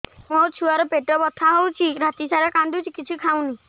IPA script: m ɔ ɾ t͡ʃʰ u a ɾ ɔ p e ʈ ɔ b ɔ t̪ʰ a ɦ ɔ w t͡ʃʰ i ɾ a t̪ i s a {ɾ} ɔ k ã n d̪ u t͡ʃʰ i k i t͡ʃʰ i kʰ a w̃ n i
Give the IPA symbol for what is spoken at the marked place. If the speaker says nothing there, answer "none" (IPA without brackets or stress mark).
ɾ